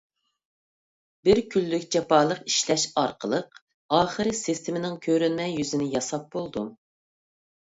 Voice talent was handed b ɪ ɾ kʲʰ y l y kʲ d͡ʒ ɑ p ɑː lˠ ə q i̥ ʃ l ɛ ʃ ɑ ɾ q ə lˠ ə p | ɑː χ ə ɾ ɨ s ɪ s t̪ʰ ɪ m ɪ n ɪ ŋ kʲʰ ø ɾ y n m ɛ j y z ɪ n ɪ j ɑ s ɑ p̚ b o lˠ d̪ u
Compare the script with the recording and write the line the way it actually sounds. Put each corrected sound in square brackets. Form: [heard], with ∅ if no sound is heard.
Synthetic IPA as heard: b ɪ ɾ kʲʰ y [lː] y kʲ d͡ʒ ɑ p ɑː lˠ ə q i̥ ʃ l ɛ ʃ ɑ ɾ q ə lˠ ə [q] | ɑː χ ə ɾ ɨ s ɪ s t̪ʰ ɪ m ɪ n ɪ ŋ kʲʰ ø ɾ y n m ɛ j y z ɪ n ɪ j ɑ s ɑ p̚ b o lˠ d̪ u